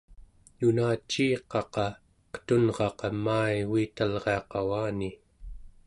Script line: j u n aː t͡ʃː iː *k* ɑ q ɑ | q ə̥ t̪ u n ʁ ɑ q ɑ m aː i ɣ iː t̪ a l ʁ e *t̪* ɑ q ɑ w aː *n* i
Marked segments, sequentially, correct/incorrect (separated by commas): incorrect, incorrect, correct